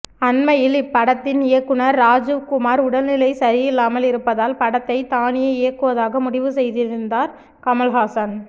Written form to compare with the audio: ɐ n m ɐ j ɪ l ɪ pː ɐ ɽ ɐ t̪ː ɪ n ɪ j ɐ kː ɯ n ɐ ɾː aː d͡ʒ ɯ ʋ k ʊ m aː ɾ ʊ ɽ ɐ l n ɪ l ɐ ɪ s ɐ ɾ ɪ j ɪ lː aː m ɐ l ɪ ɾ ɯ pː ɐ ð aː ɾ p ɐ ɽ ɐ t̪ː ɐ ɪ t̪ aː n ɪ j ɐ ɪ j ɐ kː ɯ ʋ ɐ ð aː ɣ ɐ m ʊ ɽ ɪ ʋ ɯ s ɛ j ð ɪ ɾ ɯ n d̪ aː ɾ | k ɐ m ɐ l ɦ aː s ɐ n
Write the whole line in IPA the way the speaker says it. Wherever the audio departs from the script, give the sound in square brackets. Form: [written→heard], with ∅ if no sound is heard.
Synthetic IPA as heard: ɐ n m ɐ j ɪ l ɪ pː ɐ ɽ ɐ t̪ː ɪ n ɪ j ɐ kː ɯ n ɐ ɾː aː d͡ʒ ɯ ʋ k ʊ m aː ɾ ʊ ɽ ɐ l n ɪ l ɐ ɪ s ɐ ɾ ɪ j ɪ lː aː m ɐ l ɪ ɾ ɯ pː ɐ ð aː [ɾ→l] p ɐ ɽ ɐ t̪ː ɐ ɪ t̪ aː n ɪ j ɐ ɪ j ɐ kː ɯ ʋ ɐ ð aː ɣ ɐ m ʊ ɽ ɪ ʋ ɯ s ɛ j ð ɪ ɾ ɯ n d̪ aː ɾ | k ɐ m ɐ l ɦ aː s ɐ n